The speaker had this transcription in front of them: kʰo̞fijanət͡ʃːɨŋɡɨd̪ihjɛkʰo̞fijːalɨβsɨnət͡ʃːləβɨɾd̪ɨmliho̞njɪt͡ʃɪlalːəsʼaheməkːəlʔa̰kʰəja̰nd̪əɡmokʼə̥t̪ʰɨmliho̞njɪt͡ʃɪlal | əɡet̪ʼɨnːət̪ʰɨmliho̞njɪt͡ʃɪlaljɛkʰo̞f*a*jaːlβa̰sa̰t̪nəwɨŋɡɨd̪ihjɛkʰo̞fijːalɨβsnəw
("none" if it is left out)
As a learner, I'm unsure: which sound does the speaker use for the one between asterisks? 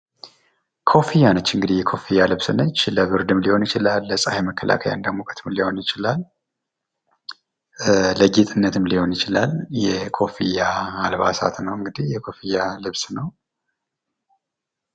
i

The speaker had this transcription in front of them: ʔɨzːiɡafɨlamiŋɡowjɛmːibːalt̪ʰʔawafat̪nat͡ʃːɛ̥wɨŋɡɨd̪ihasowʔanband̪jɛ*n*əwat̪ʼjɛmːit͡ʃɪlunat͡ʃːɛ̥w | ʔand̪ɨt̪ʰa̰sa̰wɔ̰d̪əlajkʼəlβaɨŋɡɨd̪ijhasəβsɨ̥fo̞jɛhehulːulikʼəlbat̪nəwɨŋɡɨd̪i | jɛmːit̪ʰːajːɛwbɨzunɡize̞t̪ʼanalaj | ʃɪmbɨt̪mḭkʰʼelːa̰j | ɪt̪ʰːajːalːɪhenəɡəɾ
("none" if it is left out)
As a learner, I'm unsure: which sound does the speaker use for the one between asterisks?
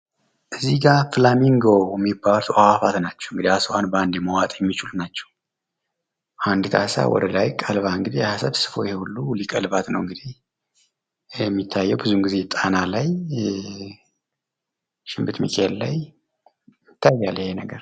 m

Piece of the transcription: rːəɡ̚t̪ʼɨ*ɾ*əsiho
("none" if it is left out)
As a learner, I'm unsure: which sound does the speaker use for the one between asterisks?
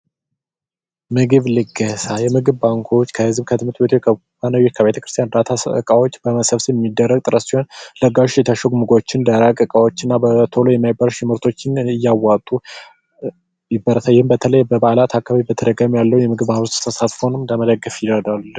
ɾ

